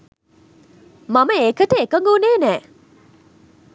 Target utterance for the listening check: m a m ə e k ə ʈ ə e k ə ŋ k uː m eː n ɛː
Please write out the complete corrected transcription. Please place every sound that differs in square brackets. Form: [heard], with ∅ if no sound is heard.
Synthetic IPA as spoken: m a m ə e k ə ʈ ə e k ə ŋ [ɡ] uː [n] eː n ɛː